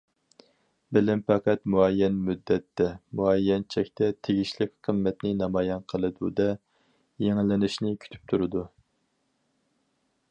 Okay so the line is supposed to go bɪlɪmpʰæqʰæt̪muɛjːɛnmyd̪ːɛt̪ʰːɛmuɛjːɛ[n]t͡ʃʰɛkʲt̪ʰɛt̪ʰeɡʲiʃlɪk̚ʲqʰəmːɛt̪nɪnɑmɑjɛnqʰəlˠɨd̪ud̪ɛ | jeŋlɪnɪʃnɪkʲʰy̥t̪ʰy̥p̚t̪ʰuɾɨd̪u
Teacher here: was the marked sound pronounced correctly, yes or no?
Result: yes